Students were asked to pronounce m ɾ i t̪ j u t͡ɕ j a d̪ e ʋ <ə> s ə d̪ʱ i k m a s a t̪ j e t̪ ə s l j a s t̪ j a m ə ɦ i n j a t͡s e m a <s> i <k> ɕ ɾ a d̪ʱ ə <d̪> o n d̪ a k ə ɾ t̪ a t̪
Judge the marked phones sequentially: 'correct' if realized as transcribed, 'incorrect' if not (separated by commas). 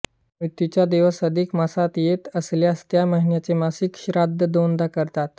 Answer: correct, correct, correct, correct